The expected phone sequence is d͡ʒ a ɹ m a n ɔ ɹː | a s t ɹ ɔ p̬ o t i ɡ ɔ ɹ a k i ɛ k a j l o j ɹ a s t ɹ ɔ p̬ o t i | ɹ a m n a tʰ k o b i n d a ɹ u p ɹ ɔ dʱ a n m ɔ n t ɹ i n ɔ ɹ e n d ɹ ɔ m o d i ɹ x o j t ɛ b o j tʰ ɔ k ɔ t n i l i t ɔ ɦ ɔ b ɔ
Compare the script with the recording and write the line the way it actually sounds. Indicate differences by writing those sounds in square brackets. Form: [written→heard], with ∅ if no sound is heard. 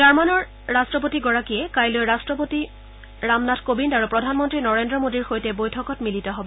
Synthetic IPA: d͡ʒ a ɹ m a n ɔ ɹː | a s t ɹ ɔ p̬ o t i ɡ ɔ ɹ a k i ɛ k a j l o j ɹ a s t ɹ ɔ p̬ o t i | ɹ a m n a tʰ k o b i n d a ɹ u p ɹ ɔ dʱ a n m ɔ n t ɹ i n ɔ ɹ e n d ɹ ɔ m o d i ɹ x o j t ɛ b o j tʰ ɔ k ɔ t [n→m] i l i t ɔ ɦ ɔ b ɔ